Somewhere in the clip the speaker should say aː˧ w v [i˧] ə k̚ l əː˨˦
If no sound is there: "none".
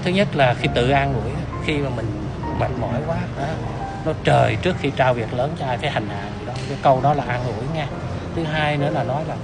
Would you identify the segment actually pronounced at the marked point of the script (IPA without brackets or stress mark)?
i˨˩